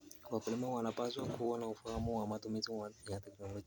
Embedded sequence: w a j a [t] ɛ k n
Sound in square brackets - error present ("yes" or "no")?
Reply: no